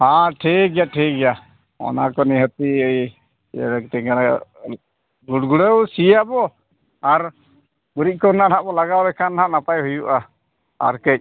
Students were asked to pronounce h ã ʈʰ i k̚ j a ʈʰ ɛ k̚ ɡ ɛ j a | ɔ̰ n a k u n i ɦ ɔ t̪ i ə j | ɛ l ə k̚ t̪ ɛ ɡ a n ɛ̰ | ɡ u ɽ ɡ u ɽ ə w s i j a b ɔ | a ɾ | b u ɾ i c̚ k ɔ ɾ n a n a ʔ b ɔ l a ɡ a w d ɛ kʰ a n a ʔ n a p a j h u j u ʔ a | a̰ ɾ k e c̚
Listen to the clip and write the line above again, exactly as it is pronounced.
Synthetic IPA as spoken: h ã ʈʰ i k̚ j a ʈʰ i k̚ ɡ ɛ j a | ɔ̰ n a k ɔ n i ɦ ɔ t̪ i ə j | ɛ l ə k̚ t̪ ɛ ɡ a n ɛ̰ | ɡ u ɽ ɡ u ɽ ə w s i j a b ɔ | a ɾ | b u ɾ i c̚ k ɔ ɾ n a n a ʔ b ɔ l a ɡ a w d ɛ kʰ a n a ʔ n a p a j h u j u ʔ a | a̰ ɾ k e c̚